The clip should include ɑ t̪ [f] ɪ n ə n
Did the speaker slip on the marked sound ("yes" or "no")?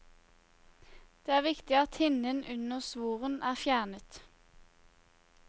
yes